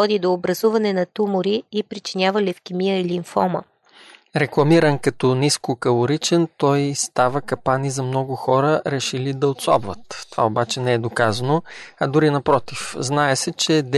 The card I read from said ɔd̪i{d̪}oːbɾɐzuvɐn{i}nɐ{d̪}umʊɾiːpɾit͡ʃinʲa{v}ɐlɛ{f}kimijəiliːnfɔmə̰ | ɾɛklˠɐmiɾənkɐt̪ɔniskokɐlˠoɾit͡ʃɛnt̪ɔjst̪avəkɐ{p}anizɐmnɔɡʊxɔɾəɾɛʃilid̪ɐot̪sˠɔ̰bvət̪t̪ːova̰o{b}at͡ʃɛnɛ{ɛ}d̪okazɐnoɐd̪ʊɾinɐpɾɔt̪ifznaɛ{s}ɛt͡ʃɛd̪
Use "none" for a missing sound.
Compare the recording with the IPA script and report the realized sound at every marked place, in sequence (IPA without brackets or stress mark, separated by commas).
d̪, ɛ, t̪, v, f, p, b, ɛ, s